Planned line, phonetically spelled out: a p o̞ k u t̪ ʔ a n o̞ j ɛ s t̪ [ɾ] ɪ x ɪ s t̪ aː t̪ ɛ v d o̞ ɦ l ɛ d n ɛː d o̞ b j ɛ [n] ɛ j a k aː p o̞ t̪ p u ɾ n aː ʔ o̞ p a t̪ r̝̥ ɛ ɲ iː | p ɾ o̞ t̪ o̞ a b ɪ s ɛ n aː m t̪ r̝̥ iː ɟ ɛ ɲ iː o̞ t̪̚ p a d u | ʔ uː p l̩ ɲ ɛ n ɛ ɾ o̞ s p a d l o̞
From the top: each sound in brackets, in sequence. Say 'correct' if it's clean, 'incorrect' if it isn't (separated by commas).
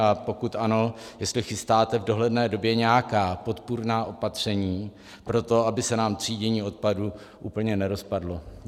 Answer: incorrect, incorrect